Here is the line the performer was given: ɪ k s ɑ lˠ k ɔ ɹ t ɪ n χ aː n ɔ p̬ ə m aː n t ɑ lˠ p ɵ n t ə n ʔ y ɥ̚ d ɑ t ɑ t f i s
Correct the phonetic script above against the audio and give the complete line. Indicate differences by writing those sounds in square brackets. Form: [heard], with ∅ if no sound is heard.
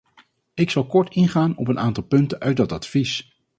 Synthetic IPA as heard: ɪ k s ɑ lˠ k ɔ ɹ t ɪ n χ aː n ɔ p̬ ə [n] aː n t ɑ lˠ p ɵ n t ə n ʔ [œ] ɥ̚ d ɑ t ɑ t f i s